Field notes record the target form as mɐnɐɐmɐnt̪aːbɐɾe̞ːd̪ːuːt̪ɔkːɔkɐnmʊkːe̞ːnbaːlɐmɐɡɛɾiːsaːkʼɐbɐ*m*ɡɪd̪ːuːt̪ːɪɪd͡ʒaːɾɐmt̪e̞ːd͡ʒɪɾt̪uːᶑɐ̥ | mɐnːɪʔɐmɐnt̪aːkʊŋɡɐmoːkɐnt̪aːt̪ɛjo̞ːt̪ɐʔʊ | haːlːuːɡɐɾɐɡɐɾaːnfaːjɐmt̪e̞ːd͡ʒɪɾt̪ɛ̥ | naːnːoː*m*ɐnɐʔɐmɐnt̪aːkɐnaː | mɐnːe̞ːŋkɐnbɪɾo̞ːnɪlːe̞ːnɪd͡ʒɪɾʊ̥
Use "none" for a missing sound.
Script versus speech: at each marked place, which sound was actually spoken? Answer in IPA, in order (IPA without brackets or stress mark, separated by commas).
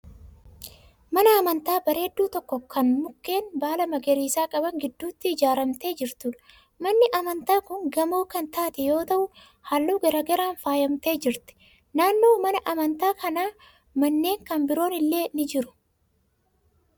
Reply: ŋ, m